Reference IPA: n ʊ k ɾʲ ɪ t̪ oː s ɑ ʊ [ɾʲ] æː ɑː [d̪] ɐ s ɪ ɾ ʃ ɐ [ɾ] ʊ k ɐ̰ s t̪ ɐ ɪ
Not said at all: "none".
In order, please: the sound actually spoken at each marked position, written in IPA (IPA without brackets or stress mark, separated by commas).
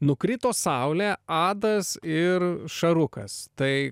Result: lʲ, d̪, ɾ